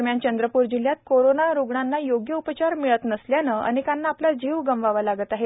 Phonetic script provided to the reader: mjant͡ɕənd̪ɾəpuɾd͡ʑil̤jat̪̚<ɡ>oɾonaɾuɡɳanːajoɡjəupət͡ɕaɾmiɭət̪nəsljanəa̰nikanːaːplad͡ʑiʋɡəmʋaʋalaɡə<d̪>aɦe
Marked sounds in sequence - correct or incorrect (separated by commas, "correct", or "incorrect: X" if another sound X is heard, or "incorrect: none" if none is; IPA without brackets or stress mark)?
incorrect: k, incorrect: t̪